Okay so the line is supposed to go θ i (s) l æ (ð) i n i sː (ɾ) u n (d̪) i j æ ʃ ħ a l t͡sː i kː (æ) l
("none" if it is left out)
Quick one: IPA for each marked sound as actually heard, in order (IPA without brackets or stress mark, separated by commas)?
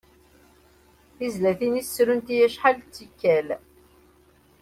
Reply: z, θ, ɾ, t̪, æ